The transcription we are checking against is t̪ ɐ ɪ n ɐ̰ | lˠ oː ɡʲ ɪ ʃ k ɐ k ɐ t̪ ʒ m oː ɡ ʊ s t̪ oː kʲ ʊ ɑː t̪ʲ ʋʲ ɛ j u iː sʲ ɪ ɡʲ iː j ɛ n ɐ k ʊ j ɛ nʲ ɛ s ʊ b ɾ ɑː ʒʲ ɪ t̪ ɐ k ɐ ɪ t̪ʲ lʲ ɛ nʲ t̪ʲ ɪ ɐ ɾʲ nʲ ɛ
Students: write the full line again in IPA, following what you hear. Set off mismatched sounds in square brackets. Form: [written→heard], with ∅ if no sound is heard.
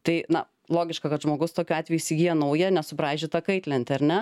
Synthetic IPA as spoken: t̪ ɐ ɪ n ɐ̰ | lˠ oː ɡʲ ɪ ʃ k ɐ k ɐ t̪ ʒ m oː ɡ ʊ s t̪ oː kʲ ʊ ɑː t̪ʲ ʋʲ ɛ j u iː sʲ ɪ ɡʲ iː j ɛ n ɐ [k→∅] ʊ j ɛ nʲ ɛ s ʊ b ɾ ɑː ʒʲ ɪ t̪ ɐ k ɐ ɪ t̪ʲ lʲ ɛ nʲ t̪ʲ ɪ ɐ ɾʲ nʲ ɛ

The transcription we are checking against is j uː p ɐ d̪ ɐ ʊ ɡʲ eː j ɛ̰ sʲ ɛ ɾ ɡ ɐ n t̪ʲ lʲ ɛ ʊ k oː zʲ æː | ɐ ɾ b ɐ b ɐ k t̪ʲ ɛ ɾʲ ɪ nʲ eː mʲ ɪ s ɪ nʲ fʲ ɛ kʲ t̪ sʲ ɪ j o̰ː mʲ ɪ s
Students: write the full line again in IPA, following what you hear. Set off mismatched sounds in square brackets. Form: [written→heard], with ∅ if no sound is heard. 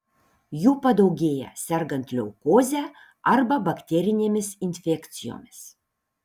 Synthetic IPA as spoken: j uː p ɐ d̪ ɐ ʊ ɡʲ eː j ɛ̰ sʲ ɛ ɾ ɡ ɐ n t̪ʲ lʲ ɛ ʊ k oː zʲ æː | ɐ ɾ b ɐ b ɐ k t̪ʲ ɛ ɾʲ ɪ nʲ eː mʲ ɪ s ɪ nʲ fʲ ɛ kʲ t̪ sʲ ɪ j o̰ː mʲ ɪ s

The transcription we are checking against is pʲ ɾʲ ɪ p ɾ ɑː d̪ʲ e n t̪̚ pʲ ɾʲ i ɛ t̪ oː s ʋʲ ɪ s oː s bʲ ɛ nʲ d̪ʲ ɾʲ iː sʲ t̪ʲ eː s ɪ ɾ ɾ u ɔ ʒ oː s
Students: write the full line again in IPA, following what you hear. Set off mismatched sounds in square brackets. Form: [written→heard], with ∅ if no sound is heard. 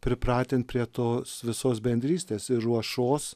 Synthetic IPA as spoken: pʲ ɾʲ ɪ p ɾ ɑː [d̪ʲ→t̪ʲ] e n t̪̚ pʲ ɾʲ i ɛ t̪ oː s ʋʲ ɪ s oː s bʲ ɛ nʲ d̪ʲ ɾʲ iː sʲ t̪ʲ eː s ɪ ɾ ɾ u ɔ [ʒ→ʃ] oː s

